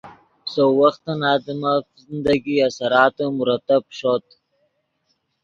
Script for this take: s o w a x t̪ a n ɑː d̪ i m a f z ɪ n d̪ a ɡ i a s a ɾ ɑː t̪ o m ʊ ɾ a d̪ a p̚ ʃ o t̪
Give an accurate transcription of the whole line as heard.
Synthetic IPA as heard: s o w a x t̪ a n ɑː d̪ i m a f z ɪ n d̪ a ɡ i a s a ɾ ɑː t̪ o m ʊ ɾ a t̪ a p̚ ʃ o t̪